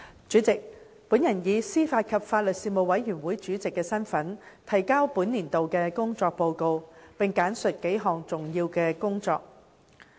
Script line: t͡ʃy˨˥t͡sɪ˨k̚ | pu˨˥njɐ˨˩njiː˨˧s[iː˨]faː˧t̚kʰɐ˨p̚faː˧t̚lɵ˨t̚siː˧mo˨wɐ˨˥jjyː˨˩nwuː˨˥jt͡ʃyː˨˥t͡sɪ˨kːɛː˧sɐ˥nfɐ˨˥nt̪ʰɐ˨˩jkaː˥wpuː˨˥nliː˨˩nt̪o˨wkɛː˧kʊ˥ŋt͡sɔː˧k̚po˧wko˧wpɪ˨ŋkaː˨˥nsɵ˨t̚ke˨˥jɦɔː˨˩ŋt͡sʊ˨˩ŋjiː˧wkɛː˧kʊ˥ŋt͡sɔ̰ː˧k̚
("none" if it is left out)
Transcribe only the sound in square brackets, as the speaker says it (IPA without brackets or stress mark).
iː˥